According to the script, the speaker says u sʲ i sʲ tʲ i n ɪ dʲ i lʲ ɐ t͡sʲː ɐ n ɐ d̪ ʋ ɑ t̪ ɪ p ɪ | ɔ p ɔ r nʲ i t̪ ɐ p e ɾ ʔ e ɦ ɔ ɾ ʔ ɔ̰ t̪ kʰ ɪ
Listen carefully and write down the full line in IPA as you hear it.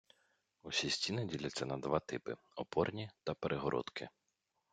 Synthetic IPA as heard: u sʲ i sʲ tʲ i n ɪ dʲ i lʲ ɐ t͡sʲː ɐ n ɐ d̪ ʋ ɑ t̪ ɪ p ɪ | ɔ p ɔ r nʲ i t̪ ɐ p e ɾ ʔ e ɦ ɔ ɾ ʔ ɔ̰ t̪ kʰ ɪ